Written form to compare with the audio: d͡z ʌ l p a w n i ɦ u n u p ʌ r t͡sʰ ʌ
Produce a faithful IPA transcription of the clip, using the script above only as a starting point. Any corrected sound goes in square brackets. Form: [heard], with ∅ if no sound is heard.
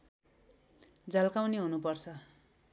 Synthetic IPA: d͡z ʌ l [k] a w n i ɦ u n u p ʌ r t͡sʰ ʌ